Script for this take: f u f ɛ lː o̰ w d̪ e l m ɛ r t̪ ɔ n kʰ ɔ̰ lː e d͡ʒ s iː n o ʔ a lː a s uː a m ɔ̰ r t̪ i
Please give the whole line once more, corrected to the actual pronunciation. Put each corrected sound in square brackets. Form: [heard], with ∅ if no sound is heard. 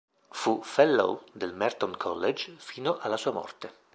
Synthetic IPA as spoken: f u f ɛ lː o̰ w d̪ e l m ɛ r t̪ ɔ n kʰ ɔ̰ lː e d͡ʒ [f] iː n o ʔ a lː a s uː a m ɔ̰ r t̪ [e]